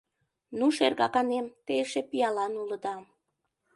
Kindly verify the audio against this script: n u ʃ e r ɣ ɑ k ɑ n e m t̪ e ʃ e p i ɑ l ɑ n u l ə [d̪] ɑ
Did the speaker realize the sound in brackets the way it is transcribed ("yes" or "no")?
yes